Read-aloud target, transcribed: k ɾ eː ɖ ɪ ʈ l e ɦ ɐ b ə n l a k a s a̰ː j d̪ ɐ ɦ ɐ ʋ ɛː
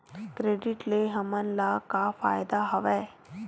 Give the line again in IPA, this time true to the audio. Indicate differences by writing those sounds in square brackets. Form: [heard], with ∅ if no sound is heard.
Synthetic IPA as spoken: k ɾ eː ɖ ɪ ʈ l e ɦ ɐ [m] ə n l a k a [f] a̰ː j d̪ [a] ɦ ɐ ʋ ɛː